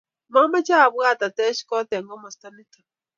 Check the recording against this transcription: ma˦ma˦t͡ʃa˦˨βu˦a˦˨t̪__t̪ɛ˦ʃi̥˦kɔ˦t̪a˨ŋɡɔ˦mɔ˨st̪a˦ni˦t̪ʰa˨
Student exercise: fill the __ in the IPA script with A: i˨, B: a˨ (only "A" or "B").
B